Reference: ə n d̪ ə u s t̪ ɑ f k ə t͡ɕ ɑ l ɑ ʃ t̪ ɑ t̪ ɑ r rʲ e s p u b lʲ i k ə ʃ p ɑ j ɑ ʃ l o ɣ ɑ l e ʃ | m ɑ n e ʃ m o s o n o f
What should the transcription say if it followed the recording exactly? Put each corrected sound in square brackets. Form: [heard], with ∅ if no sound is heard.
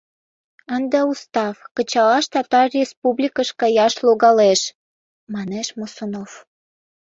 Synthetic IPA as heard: ə n d̪ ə u s t̪ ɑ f k ə t͡ɕ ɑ l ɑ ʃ t̪ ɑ t̪ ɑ r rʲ e s p u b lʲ i k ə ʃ [k] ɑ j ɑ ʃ l o ɣ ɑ l e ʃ | m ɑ n e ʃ m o s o n o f

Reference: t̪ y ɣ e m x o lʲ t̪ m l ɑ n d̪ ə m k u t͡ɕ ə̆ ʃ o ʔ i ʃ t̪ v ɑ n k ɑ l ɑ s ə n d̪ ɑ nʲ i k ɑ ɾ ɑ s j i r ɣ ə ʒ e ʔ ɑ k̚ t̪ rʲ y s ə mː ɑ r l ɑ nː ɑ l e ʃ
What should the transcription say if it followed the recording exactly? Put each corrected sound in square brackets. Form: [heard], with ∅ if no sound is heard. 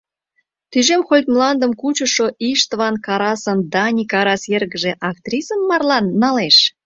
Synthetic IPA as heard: t̪ y [ʒ] e m x o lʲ t̪ m l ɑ n d̪ ə m k u t͡ɕ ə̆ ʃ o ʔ i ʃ t̪ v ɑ n k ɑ [ɾ] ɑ s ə n d̪ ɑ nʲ i k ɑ ɾ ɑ s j [e] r ɣ ə ʒ e ʔ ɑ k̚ t̪ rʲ [i] s ə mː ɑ r l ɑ nː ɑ l e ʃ

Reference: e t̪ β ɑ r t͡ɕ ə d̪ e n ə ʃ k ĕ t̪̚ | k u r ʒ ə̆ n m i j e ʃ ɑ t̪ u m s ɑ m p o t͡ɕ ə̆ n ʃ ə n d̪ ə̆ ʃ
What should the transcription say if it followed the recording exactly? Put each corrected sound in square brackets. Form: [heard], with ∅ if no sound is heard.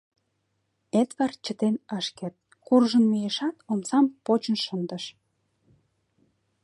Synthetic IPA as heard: e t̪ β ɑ r t͡ɕ ə [t̪] e n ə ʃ k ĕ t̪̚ | k u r ʒ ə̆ n m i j e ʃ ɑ t̪ [o] m s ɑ m p o t͡ɕ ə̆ n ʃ ə n d̪ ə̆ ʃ

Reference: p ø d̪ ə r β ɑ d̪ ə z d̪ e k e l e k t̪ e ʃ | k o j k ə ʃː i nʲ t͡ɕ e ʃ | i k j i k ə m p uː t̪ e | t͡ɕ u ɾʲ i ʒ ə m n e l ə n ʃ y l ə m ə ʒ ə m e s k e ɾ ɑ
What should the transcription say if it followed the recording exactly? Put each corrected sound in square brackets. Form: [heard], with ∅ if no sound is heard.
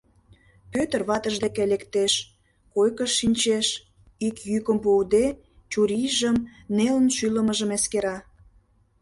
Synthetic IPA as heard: p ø [t̪] ə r β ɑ [t̪] ə [ʒ] d̪ e k e l e k t̪ e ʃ | k o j k ə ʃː i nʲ t͡ɕ e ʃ | i k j [y] k ə m p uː [d̪] e | t͡ɕ u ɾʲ i ʒ ə m n e l ə n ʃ y l ə m ə ʒ ə m e s k e ɾ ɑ

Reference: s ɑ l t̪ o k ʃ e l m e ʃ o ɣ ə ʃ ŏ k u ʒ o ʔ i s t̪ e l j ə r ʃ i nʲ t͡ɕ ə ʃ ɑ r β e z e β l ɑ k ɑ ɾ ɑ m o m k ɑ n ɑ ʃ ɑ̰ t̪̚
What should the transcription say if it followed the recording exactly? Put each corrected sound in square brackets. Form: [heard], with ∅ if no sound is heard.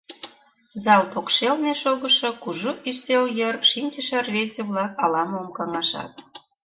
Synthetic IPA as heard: [z] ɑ l t̪ o k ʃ e l [n] e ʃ o ɣ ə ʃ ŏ k u ʒ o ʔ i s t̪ e l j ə r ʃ i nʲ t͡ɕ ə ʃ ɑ r β e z e β l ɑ k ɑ [l] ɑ m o m k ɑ [ŋ] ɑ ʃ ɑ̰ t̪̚

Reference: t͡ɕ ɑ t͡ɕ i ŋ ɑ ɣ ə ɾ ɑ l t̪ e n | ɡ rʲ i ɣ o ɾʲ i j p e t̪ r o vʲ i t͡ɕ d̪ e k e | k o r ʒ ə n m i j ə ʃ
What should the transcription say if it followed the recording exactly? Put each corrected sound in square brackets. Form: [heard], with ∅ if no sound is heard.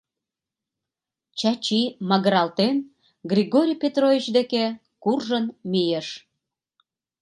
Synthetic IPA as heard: t͡ɕ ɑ t͡ɕ i [m] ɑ ɣ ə ɾ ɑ l t̪ e n | ɡ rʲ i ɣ o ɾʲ i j p e t̪ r o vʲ i t͡ɕ d̪ e k e | k [u] r ʒ ə n m i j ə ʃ

